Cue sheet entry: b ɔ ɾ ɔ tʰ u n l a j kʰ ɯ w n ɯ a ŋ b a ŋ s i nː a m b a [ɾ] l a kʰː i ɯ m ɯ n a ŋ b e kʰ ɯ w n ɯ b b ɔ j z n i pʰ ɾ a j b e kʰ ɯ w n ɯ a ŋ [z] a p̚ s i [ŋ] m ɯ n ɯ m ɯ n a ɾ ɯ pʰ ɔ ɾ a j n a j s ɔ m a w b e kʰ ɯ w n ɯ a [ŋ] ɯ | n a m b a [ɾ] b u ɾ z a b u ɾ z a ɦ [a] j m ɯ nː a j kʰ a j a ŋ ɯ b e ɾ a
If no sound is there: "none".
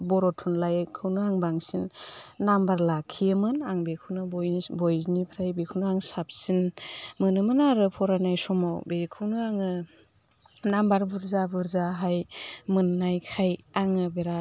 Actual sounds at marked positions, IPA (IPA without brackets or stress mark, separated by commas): ɾ, s, n, ŋ, ɾ, a